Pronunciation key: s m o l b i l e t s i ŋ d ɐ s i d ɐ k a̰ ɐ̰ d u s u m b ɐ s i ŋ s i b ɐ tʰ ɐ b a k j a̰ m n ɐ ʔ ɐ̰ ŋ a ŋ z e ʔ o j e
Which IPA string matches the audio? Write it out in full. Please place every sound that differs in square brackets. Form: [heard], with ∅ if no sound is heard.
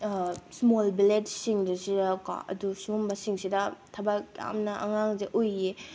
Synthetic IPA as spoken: s m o l b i l e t s i ŋ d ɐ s i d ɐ k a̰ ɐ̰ d u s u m b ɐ s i ŋ s i [d] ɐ tʰ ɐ b a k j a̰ m n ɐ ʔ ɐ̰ ŋ a ŋ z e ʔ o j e